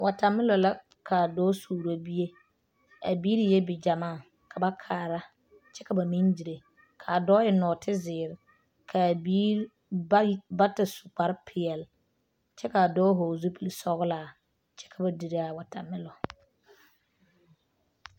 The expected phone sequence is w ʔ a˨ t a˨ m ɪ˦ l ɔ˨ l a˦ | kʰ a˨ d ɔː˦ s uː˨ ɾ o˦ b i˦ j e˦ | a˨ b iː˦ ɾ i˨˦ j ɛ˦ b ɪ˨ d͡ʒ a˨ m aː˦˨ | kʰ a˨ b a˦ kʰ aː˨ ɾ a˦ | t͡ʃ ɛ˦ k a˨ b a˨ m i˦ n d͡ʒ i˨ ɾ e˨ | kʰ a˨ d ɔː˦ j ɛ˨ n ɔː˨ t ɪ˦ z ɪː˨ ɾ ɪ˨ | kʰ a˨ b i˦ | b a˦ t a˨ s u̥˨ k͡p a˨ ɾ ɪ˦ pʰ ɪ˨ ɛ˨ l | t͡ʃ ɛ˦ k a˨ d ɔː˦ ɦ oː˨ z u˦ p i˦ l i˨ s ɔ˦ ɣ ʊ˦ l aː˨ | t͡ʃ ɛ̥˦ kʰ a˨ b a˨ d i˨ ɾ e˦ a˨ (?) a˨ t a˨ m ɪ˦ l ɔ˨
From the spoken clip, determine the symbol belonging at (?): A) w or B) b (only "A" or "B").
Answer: A